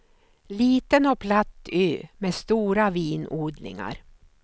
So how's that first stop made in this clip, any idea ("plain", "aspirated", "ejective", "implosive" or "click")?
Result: plain